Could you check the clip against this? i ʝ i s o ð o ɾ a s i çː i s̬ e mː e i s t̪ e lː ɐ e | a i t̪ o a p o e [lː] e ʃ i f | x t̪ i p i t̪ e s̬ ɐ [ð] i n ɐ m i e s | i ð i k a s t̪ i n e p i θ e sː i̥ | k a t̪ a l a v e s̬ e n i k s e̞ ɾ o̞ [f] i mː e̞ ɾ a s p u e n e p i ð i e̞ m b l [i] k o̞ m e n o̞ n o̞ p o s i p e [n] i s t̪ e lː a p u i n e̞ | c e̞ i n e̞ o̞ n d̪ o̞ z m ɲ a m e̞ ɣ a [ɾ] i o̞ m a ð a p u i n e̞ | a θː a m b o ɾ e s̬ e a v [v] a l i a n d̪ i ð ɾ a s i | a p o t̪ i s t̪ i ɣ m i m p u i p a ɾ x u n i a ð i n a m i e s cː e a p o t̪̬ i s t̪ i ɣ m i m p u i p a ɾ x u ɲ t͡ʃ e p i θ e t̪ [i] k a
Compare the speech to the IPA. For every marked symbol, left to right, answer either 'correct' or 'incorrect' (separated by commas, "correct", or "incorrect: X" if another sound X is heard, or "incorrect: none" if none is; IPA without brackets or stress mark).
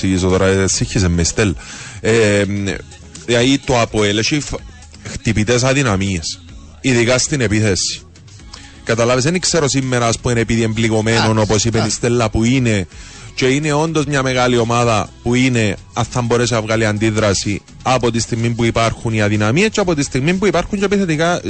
incorrect: l, correct, incorrect: s, correct, correct, incorrect: l, incorrect: ɣ, correct